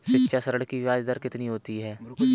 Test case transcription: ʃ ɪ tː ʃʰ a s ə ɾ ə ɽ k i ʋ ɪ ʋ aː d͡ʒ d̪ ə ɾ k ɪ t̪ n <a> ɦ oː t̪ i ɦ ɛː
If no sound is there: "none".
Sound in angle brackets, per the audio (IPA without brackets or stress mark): i